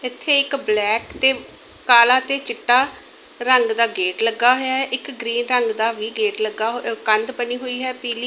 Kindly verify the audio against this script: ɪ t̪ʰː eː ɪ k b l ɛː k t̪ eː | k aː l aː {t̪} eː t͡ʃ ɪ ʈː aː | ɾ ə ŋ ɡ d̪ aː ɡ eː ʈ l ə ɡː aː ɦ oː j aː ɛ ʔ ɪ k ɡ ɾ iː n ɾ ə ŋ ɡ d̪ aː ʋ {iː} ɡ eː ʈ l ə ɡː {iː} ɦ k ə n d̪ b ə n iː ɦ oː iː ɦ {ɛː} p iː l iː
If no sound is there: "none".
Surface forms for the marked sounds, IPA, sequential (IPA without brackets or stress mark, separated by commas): t̪, iː, aː, ɛː